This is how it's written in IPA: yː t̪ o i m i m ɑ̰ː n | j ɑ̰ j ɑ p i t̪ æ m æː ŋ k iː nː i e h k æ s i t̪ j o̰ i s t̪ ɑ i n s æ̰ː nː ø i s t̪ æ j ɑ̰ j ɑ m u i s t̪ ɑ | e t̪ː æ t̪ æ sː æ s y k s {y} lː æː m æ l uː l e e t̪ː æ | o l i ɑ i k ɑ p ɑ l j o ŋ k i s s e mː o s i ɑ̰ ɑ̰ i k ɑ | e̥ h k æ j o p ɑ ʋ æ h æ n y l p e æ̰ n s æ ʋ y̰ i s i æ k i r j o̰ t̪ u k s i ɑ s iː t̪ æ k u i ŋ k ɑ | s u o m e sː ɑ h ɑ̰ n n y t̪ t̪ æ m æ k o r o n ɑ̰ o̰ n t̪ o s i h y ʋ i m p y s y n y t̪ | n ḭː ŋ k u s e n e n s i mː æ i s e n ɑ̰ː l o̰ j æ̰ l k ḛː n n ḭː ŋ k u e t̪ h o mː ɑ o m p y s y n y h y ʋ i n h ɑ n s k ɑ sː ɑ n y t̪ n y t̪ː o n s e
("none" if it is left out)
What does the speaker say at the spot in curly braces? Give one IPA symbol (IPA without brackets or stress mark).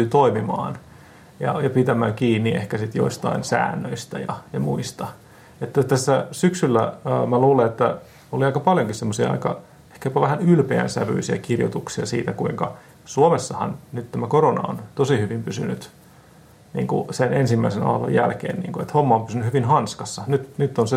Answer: y